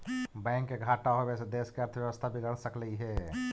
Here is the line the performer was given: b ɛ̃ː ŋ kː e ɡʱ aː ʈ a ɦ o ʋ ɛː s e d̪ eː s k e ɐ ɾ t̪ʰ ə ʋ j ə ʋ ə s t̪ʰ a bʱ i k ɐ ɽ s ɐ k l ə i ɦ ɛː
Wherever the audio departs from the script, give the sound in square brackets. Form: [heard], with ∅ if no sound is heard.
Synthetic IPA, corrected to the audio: b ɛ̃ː ŋ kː e ɡʱ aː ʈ a ɦ o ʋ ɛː s e d̪ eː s k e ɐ ɾ t̪ʰ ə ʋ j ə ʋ ə s t̪ʰ a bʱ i [ɡ] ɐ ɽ s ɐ k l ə i ɦ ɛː